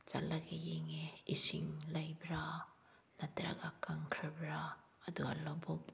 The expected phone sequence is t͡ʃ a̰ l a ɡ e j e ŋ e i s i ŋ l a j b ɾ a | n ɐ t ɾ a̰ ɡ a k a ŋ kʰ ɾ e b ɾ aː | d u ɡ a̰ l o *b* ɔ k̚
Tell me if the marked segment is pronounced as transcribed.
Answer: yes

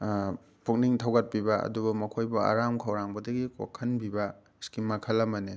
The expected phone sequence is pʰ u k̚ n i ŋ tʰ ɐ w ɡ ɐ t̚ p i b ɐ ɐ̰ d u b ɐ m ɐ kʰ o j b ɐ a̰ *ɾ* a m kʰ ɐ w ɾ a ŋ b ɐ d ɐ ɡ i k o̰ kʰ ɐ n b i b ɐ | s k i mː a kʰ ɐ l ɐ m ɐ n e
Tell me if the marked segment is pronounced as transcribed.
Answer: yes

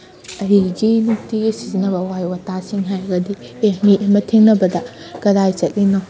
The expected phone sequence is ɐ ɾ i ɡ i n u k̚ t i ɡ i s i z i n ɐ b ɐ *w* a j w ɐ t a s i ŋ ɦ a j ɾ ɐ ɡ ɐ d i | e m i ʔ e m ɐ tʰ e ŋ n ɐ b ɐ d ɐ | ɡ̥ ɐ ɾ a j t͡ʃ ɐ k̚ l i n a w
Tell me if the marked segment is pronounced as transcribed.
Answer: yes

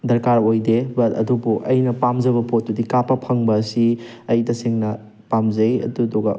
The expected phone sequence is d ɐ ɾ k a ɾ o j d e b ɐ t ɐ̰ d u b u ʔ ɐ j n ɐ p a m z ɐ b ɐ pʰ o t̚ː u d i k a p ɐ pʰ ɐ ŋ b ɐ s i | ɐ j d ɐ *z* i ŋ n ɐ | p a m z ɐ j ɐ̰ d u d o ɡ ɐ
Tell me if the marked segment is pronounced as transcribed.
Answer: no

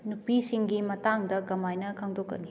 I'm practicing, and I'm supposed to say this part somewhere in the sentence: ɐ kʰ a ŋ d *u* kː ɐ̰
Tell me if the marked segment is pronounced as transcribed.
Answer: no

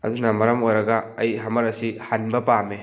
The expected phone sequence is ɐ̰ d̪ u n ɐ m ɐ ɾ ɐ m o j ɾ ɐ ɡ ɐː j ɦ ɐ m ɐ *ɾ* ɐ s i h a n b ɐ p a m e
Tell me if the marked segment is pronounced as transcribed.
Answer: yes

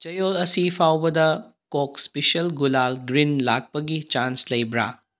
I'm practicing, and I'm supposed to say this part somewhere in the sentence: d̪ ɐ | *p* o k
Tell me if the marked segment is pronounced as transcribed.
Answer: no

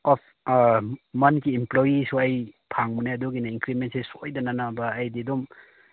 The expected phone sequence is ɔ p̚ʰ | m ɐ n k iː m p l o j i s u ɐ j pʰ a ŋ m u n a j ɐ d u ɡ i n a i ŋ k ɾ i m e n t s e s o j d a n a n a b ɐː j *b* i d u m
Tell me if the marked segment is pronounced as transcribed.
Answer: no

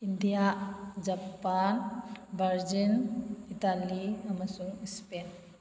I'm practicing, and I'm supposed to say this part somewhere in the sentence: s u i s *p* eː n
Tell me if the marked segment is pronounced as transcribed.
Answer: yes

